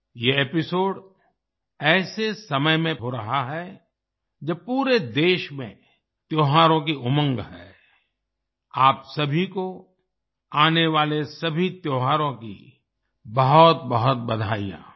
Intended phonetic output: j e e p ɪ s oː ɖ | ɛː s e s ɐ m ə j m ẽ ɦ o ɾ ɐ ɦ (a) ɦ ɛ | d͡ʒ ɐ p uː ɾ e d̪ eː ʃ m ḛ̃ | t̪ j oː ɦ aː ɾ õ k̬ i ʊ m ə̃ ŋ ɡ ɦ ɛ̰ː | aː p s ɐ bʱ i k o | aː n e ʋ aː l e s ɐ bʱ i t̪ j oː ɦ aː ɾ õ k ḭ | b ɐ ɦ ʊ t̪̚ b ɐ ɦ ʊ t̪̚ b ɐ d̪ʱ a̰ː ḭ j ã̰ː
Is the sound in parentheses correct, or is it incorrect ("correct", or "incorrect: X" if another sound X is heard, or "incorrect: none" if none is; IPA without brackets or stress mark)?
correct